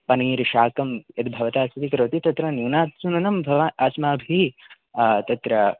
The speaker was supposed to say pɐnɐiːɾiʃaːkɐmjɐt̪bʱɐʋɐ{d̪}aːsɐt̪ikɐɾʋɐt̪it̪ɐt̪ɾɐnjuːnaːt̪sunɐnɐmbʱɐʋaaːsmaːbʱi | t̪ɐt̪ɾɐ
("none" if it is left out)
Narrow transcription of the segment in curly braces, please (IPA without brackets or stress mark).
t̪